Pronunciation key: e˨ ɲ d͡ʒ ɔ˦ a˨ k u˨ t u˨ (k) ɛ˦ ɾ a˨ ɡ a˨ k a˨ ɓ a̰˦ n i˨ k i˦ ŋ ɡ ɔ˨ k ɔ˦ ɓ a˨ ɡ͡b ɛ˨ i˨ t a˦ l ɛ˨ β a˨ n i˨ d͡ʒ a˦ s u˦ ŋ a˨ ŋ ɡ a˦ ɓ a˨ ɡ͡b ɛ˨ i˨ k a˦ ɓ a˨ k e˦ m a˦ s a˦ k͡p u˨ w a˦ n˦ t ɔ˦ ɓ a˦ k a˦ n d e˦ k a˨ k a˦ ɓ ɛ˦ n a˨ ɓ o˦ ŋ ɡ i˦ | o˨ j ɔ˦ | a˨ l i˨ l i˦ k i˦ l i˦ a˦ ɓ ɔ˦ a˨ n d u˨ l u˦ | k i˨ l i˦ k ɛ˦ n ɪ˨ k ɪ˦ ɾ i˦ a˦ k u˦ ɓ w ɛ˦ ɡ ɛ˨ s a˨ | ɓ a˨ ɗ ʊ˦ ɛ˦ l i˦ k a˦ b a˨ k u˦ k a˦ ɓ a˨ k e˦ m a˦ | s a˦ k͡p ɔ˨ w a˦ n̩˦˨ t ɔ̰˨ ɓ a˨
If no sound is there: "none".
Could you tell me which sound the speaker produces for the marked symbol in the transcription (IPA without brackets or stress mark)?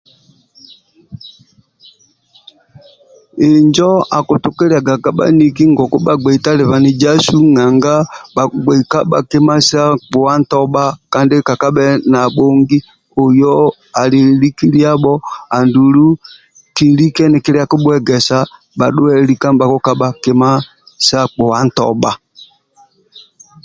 k